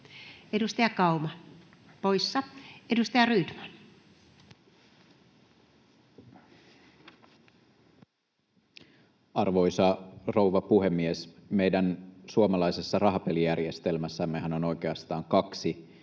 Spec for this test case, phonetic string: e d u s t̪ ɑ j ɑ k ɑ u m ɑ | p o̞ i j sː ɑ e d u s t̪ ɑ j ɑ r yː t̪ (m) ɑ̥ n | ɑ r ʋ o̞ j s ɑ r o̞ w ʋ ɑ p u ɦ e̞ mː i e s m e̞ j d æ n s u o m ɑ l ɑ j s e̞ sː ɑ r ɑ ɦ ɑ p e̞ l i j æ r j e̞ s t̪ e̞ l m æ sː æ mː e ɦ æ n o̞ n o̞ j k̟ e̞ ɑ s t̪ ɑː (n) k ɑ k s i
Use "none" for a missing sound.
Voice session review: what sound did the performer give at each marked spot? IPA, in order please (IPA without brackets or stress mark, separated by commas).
m, ŋ